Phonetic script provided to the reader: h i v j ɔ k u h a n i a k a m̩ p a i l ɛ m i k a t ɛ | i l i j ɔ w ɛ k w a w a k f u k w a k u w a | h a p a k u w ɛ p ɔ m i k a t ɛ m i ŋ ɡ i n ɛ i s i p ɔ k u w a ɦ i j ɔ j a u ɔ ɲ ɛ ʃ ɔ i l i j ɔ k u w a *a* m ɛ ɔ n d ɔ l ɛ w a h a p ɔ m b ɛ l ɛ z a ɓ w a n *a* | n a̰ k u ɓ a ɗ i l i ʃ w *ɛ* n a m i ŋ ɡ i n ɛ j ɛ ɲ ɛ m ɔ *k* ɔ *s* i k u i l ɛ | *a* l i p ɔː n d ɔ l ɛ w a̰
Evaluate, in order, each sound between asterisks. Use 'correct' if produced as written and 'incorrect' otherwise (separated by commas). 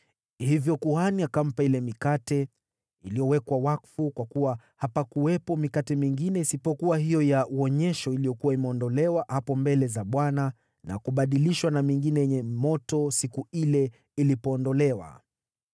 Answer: incorrect, correct, incorrect, incorrect, correct, incorrect